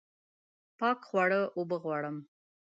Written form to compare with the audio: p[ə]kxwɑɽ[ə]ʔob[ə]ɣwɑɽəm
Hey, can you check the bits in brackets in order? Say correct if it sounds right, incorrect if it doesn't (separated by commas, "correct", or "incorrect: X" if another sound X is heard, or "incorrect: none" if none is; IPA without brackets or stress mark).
incorrect: ɑ, correct, correct